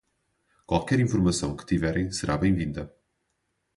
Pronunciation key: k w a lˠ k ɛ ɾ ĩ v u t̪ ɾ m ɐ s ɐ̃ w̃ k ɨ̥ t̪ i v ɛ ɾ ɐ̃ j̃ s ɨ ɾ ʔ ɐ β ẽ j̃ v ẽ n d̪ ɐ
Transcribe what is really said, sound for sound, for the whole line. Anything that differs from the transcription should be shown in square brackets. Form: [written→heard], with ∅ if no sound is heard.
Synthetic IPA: k w a lˠ k ɛ ɾ ĩ [v→f] u [t̪→∅] ɾ m ɐ s ɐ̃ w̃ k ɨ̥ t̪ i v ɛ ɾ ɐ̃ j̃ s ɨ ɾ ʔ [ɐ→a] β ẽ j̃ v [ẽ→ĩ] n d̪ ɐ